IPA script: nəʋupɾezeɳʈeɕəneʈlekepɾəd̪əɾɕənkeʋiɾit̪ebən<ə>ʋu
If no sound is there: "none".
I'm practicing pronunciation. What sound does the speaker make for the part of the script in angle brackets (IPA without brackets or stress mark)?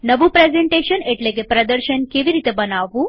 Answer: a